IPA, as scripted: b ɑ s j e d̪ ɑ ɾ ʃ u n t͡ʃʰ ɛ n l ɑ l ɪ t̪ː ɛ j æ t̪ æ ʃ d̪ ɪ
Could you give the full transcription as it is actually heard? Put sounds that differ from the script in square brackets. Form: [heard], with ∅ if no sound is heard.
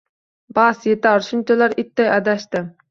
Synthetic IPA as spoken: b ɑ s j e [t̪] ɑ ɾ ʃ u n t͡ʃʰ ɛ [∅] l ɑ [ɾ] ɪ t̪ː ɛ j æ [d̪] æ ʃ [t̪] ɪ